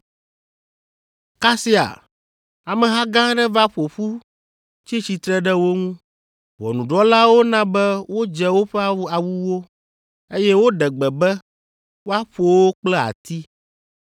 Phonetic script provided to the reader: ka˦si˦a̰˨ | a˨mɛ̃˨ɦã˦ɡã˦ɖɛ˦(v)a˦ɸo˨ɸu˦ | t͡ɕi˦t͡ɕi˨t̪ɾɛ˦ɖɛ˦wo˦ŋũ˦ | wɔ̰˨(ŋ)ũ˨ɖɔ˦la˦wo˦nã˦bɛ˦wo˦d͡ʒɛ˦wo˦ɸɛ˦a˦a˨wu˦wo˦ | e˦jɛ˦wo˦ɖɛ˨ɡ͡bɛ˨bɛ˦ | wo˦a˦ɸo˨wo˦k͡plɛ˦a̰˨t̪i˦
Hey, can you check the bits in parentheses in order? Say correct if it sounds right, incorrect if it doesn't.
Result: correct, incorrect: n

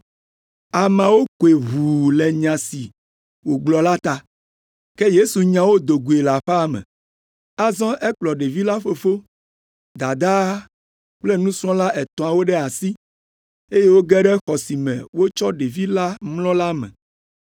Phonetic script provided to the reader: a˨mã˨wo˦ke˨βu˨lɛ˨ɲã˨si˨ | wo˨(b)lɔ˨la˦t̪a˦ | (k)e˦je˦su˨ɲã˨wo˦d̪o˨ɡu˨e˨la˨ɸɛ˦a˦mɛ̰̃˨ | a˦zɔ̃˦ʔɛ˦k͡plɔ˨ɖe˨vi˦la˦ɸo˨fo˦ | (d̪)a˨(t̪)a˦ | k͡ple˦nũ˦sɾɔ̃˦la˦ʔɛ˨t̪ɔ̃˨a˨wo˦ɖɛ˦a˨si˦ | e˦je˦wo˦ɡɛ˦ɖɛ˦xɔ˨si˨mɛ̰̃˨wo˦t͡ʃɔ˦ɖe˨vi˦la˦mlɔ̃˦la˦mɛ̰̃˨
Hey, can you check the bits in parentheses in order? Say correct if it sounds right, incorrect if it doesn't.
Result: incorrect: ɡ͡b, correct, correct, incorrect: d̪

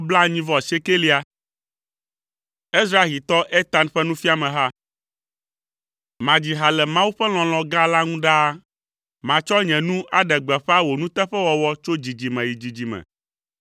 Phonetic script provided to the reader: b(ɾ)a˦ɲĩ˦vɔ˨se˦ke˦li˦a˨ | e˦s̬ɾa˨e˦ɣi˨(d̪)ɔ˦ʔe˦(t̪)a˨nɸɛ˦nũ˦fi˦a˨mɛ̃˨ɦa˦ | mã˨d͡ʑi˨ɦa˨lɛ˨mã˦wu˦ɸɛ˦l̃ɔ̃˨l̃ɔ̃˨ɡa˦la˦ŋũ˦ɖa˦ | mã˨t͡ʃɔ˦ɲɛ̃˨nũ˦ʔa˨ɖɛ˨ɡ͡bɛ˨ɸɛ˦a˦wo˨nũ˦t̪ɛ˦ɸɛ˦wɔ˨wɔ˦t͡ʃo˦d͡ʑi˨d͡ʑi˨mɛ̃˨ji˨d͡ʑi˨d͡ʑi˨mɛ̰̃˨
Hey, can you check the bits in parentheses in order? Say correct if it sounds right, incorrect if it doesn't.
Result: incorrect: l, incorrect: t̪, correct

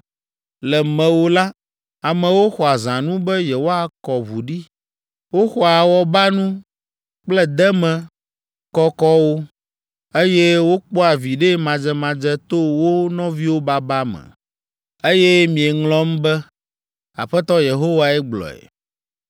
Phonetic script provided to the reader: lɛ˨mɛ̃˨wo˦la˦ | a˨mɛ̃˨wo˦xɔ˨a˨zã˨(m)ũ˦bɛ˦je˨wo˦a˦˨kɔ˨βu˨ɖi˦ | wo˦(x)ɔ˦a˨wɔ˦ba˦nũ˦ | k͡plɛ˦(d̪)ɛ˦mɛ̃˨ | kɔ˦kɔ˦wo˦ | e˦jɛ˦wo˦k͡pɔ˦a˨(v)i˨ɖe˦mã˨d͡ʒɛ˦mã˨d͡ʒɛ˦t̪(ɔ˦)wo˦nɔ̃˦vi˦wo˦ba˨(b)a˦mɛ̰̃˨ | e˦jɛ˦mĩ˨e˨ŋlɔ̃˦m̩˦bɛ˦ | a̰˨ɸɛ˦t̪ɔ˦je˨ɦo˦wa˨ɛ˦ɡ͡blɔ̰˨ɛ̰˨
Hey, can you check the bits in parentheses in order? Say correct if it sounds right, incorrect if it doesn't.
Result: incorrect: n, correct, correct, correct, incorrect: o˦, correct

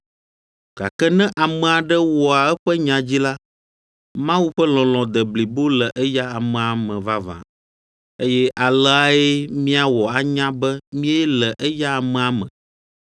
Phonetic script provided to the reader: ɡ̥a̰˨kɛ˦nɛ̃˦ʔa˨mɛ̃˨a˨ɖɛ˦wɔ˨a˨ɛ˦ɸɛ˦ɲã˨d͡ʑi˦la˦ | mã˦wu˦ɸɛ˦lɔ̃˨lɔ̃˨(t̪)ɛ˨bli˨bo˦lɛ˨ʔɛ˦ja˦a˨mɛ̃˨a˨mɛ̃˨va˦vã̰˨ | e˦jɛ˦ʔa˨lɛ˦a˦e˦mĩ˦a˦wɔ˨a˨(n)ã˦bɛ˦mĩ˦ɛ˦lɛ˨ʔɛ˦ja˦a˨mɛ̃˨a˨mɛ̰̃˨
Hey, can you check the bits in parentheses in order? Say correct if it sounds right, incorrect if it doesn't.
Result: incorrect: d̪, incorrect: ɲ

